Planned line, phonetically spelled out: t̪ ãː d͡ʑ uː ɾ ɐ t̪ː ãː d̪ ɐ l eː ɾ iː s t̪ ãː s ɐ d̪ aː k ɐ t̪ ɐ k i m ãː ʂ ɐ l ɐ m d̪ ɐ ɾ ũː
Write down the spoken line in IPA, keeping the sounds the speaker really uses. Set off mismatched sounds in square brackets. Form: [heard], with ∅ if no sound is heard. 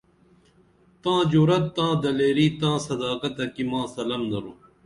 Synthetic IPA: t̪ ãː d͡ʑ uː ɾ ɐ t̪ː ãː d̪ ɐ l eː ɾ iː [∅] t̪ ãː s ɐ d̪ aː k ɐ t̪ ɐ k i m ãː [s] ɐ l ɐ m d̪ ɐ ɾ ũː